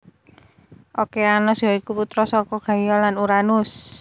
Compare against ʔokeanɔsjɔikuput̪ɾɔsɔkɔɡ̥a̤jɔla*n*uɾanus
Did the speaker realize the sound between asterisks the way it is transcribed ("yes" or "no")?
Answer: yes